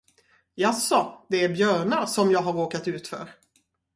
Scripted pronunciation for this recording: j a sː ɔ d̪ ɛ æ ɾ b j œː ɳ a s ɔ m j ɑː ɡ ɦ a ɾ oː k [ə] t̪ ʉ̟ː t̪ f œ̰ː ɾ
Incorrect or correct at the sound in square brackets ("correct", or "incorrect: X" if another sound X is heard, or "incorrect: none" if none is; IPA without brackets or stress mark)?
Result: incorrect: a